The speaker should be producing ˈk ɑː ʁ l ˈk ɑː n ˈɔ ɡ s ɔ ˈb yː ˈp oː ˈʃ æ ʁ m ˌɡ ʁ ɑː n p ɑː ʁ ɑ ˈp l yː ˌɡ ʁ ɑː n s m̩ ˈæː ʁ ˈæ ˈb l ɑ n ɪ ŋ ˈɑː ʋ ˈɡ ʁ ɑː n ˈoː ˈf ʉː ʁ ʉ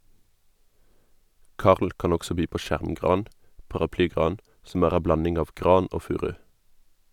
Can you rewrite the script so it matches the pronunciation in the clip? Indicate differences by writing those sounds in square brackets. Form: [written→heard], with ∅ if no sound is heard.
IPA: ˈk ɑː ʁ l ˈk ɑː n ˈɔ ɡ s ɔ ˈb yː ˈp oː ˈʃ æ ʁ m ˌɡ ʁ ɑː n p [ɑː→ɑ] ʁ ɑ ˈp l yː ˌɡ ʁ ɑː n s m̩ ˈæː ʁ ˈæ ˈb l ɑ n ɪ ŋ ˈɑː ʋ ˈɡ ʁ ɑː n ˈoː ˈf ʉː ʁ ʉ